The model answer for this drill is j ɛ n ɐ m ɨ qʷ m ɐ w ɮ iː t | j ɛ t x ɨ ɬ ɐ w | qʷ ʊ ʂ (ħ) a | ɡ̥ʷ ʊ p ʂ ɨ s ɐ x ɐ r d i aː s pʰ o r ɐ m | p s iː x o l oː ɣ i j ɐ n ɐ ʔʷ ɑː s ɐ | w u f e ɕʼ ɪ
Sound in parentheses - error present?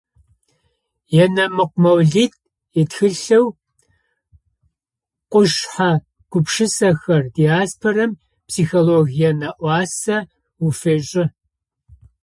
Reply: no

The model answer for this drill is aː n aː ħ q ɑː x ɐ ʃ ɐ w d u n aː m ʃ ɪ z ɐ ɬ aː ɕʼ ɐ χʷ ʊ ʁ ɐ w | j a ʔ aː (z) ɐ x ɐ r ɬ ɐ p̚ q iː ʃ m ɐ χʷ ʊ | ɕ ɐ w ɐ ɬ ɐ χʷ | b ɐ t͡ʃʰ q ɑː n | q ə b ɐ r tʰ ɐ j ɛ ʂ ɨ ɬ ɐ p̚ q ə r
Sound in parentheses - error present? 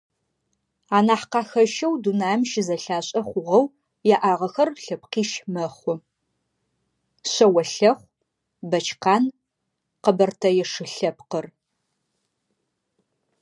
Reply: yes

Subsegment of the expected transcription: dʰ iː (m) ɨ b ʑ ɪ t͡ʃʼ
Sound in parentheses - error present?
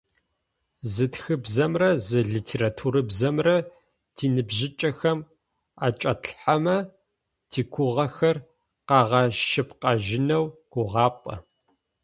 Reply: yes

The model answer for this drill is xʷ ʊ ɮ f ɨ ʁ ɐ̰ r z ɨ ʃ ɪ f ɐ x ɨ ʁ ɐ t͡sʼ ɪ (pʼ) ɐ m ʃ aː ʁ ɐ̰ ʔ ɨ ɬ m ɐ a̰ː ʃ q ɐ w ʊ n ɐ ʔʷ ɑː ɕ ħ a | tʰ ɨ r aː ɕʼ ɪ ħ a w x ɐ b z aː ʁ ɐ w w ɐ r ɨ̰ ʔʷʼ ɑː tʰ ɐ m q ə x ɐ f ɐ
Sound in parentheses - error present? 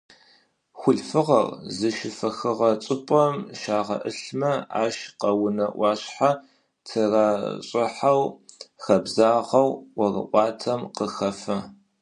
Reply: no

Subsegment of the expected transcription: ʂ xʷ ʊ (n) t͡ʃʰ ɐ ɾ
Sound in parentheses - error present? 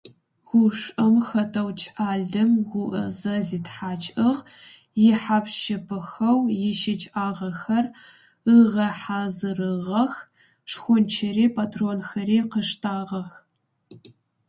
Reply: no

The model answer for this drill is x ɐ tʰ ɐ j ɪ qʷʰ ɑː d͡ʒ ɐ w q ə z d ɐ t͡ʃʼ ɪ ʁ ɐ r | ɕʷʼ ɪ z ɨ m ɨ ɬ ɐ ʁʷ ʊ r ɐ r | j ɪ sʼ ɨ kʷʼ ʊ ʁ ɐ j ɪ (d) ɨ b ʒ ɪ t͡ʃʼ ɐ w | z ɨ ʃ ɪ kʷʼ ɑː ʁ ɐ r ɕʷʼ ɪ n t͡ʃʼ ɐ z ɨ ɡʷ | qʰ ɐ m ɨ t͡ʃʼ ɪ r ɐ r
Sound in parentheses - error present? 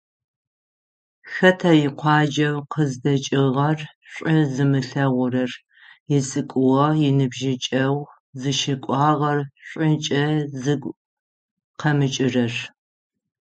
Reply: yes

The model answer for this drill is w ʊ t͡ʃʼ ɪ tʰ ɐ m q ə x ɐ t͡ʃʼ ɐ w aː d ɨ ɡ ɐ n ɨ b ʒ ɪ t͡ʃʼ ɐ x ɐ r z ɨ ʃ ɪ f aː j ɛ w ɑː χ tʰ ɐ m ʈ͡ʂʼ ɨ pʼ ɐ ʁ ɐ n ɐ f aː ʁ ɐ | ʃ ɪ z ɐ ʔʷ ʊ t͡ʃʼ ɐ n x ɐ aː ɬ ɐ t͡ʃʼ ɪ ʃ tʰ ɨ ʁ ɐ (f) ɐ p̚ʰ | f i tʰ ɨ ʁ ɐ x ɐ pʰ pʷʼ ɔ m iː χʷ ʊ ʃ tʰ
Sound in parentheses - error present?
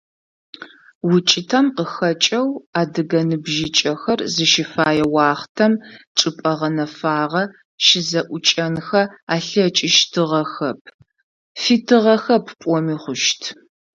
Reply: yes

